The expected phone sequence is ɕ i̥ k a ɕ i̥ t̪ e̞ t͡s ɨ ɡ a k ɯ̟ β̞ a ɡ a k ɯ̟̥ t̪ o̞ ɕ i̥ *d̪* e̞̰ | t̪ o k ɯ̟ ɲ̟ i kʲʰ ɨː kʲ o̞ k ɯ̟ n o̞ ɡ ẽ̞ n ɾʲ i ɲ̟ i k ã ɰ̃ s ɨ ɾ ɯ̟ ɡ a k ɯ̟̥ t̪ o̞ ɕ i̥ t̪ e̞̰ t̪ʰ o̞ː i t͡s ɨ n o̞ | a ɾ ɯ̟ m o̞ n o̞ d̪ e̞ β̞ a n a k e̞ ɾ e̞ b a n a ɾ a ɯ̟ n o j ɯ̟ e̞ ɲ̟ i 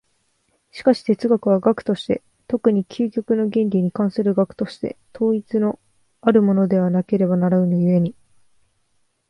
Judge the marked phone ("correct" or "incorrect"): incorrect